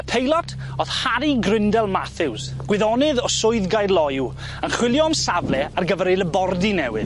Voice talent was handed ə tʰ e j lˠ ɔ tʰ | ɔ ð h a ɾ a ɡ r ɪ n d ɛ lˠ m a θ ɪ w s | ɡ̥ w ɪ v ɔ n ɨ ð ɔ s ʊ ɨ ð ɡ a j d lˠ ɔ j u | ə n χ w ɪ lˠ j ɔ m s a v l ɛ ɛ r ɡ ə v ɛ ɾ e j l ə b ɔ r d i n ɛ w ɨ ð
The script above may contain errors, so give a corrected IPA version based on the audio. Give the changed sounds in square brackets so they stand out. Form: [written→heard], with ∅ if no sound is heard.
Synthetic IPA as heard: ə [tʰ→pʰ] e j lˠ ɔ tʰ | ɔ ð h a ɾ [a→i] ɡ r ɪ n d ɛ lˠ m a θ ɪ w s | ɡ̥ w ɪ [v→ð] ɔ n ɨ ð ɔ s ʊ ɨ ð ɡ a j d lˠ ɔ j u | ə n χ w ɪ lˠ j ɔ m s a v l ɛ [ɛ→a] r ɡ ə v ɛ ɾ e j l ə b ɔ r d i n ɛ w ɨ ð